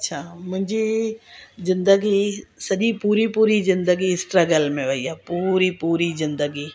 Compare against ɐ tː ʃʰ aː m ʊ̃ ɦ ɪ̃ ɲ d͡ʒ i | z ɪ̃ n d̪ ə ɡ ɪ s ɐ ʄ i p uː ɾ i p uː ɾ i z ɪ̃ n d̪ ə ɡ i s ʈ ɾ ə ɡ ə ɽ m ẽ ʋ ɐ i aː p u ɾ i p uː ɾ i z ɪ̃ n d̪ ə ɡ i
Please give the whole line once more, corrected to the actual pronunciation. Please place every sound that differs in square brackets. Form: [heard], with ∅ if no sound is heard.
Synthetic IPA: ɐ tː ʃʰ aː m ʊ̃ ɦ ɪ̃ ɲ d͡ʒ i | z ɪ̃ n d̪ ə ɡ [i] s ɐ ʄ i p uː ɾ i p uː ɾ i z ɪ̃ n d̪ ə ɡ i s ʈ ɾ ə ɡ ə [l] m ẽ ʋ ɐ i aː p u ɾ i p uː ɾ i z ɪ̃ n d̪ ə ɡ i